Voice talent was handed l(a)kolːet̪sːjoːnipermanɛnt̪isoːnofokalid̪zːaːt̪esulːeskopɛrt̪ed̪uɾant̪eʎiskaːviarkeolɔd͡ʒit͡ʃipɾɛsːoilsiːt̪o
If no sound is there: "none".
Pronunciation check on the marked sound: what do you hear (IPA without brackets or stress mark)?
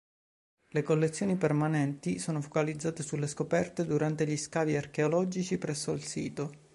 e